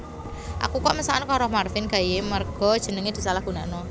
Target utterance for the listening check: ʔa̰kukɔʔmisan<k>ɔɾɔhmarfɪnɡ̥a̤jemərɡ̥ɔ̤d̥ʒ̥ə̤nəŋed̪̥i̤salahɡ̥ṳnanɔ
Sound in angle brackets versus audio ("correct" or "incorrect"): correct